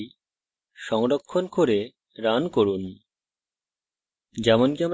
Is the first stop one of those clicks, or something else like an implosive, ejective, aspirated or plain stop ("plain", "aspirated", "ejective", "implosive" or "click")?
aspirated